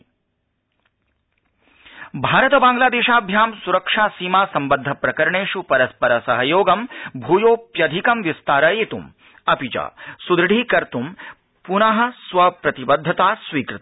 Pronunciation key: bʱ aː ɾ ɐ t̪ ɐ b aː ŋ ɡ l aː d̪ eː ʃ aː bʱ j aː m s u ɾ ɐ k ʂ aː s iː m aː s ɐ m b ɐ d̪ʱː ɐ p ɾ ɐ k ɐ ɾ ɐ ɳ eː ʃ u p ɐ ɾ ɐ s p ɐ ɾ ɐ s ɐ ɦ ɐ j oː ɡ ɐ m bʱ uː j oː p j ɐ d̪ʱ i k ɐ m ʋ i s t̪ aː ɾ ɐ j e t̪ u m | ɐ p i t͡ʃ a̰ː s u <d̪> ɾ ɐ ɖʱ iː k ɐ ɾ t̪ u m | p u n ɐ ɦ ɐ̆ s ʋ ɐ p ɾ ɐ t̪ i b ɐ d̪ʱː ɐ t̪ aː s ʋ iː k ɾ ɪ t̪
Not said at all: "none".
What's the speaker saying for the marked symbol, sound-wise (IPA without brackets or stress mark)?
d̪